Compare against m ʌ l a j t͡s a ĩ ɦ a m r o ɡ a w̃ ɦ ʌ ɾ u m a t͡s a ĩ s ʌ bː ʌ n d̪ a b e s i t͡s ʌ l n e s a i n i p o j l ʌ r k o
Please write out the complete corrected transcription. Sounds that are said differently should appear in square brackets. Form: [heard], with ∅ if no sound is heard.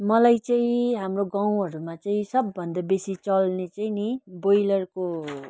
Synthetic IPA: m ʌ l a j t͡s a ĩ ɦ a m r o ɡ a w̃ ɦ ʌ ɾ u m a t͡s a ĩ s ʌ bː ʌ n d̪ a b e s i t͡s ʌ l n e [t͡s] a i n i [b] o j l ʌ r k o